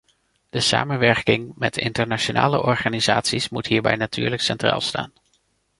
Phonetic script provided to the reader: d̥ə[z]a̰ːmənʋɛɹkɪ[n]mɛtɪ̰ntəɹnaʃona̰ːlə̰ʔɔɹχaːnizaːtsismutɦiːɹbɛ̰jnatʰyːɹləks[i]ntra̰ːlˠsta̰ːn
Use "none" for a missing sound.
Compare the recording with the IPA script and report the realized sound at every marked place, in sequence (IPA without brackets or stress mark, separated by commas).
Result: s, ŋ, ɛ